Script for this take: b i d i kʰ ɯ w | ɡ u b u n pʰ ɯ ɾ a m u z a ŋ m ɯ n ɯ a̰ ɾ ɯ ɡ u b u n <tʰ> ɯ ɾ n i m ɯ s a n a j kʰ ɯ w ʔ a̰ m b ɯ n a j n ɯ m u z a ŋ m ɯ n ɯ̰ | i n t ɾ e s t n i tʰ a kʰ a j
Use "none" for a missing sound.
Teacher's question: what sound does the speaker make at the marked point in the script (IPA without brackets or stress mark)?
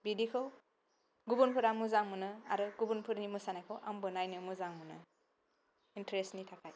pʰ